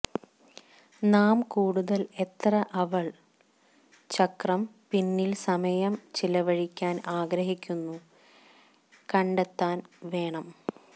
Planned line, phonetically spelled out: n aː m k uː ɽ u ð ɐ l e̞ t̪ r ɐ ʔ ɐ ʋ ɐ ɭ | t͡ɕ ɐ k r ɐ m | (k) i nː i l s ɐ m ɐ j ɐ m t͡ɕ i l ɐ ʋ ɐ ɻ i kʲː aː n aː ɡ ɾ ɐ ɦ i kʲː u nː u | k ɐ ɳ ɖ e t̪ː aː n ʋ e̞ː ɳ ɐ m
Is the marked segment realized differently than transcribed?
yes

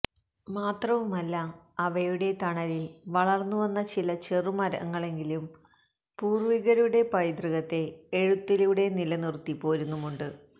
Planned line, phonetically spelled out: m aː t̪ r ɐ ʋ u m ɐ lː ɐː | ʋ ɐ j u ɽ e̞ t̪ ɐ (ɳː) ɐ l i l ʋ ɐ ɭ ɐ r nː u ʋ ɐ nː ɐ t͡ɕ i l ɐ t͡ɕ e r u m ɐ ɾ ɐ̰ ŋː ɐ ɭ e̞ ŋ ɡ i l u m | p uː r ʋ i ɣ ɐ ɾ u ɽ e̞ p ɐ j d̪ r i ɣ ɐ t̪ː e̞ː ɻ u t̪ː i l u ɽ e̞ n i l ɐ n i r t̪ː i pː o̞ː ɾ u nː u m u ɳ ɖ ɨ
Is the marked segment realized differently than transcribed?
yes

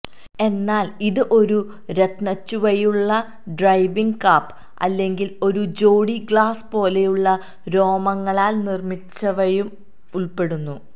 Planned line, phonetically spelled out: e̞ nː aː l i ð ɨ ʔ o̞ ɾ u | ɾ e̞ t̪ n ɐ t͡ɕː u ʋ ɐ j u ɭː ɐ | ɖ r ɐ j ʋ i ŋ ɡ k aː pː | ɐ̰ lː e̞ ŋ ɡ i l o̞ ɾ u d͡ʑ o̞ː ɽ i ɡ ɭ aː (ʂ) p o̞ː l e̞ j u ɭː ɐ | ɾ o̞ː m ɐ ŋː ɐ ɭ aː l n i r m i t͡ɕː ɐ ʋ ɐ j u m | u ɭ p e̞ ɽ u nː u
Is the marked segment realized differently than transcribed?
yes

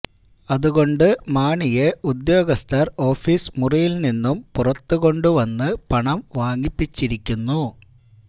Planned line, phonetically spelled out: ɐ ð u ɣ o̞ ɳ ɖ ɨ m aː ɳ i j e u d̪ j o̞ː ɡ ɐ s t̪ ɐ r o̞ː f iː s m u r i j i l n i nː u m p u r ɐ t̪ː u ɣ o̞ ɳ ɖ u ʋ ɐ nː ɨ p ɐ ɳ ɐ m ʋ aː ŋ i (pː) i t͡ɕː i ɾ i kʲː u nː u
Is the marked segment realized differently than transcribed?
no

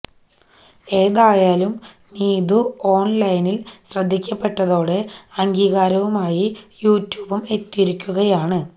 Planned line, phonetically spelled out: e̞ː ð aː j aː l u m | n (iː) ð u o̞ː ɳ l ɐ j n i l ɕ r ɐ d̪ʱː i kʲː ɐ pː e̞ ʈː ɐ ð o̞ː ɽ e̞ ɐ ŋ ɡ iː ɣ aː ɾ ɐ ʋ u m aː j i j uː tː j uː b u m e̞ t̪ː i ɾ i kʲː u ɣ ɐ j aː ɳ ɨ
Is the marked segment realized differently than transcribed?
no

